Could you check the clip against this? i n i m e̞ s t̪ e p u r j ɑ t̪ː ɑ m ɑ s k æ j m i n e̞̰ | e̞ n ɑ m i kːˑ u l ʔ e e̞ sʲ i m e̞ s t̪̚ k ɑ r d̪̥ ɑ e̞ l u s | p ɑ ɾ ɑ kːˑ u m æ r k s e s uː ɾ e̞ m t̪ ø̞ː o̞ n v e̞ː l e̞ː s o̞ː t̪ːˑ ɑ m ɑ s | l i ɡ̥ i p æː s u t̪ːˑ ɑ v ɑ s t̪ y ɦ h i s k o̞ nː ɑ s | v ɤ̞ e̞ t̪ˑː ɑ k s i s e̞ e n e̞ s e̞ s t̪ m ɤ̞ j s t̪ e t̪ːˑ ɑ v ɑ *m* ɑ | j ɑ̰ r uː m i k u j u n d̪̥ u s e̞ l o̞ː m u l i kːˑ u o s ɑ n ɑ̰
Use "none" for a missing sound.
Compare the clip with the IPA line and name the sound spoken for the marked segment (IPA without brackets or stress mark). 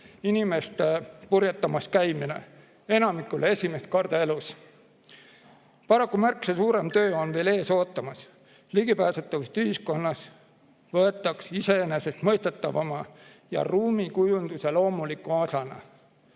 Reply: m